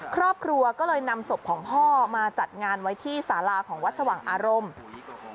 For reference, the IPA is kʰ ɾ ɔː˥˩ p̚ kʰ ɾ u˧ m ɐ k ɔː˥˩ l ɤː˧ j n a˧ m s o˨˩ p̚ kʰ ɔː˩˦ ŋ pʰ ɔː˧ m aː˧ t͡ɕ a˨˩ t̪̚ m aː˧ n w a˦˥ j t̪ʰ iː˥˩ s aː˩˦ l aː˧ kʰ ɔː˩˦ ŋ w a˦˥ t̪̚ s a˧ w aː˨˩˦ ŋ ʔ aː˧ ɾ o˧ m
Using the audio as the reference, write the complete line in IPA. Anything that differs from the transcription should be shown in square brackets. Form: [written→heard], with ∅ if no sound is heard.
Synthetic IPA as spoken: kʰ ɾ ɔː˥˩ p̚ kʰ ɾ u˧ [m→∅] ɐ k ɔː˥˩ l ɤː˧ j n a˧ m s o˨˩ p̚ kʰ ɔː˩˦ ŋ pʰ [ɔː˧→ɔː˥˩] m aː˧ t͡ɕ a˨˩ t̪̚ [m→ŋ] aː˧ n w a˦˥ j t̪ʰ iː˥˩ s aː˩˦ l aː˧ kʰ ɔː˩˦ ŋ w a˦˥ t̪̚ s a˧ w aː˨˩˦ ŋ ʔ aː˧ ɾ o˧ m